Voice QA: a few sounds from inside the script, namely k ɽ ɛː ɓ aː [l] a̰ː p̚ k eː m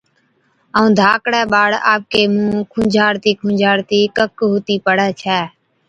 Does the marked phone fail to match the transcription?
yes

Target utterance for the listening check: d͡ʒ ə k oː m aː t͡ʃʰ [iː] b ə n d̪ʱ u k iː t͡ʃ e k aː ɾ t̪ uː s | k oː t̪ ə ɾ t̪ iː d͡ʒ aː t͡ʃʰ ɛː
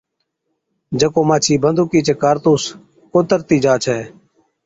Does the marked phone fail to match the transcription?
no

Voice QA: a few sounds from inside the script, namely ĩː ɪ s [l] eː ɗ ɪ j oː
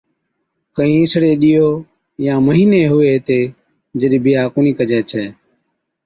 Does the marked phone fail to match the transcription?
yes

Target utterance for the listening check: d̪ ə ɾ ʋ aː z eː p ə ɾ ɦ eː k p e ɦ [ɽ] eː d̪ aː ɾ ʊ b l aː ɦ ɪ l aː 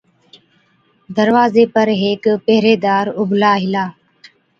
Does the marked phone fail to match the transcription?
yes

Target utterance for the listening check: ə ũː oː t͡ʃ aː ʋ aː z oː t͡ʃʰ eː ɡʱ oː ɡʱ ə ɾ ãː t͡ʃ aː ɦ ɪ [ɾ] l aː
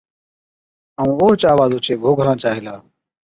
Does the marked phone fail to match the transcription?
yes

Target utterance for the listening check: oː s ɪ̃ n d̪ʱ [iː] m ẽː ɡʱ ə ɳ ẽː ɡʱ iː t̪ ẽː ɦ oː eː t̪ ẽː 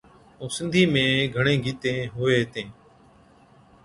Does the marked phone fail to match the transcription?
no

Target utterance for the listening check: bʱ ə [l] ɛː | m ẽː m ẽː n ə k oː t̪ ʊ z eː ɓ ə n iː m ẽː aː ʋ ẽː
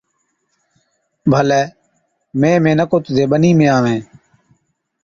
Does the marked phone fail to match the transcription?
no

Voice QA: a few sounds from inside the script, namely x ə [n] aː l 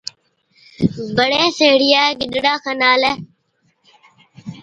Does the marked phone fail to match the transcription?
no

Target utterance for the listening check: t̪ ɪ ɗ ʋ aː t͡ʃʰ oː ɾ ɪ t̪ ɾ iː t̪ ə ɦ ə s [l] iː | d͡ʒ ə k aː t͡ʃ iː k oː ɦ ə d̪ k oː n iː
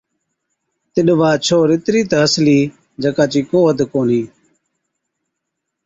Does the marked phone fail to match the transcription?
no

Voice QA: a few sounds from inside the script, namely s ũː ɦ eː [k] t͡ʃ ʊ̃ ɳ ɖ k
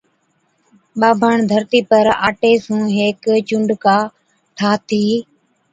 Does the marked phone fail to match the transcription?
no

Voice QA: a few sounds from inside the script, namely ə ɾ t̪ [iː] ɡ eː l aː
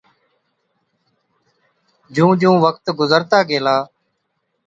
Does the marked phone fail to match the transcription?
yes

